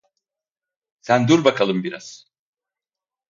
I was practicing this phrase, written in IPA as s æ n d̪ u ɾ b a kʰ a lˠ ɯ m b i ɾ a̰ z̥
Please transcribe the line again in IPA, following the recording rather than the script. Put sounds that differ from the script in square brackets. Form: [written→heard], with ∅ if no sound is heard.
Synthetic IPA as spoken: s æ n d̪ u ɾ b a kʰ a lˠ ɯ m b i ɾ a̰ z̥